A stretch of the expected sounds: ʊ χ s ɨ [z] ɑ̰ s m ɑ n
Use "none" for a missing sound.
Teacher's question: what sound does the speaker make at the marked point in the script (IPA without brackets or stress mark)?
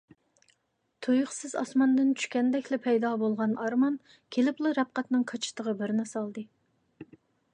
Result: z